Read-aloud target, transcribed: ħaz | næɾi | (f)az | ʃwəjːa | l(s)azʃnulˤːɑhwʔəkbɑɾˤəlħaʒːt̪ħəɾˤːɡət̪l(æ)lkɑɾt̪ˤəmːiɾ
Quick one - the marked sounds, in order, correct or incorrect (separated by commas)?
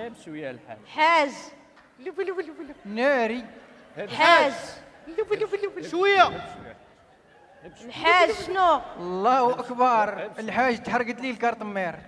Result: incorrect, incorrect, incorrect